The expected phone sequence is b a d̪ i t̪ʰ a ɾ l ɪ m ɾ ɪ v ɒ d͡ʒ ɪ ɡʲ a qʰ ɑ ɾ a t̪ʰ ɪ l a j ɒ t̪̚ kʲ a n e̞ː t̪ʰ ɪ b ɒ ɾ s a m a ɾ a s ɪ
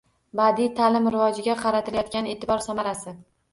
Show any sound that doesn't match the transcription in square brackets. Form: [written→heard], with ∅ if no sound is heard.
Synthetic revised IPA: b a d̪ i t̪ʰ a [ɾ→∅] l ɪ m ɾ ɪ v ɒ d͡ʒ ɪ ɡʲ a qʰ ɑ ɾ a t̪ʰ ɪ l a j ɒ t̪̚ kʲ a n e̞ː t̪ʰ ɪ b ɒ ɾ s a m a ɾ a s ɪ